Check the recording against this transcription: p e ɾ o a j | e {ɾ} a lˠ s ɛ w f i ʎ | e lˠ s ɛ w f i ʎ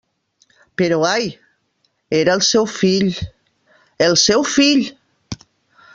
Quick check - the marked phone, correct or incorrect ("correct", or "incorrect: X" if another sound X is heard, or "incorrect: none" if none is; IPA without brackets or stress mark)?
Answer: correct